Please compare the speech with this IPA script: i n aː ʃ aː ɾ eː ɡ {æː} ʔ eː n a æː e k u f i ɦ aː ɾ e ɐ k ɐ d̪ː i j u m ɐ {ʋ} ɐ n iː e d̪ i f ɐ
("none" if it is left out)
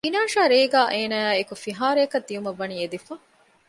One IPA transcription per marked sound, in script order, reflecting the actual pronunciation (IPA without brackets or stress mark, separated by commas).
aː, ʋː